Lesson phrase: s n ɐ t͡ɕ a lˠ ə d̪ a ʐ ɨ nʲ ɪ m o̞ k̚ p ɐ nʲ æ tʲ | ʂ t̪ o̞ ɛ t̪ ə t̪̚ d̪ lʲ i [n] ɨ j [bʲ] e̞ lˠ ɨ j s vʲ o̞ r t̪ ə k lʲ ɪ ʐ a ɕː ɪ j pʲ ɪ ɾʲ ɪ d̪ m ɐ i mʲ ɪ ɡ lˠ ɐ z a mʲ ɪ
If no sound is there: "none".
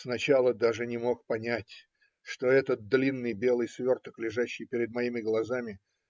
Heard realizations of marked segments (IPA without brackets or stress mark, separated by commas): nː, bʲ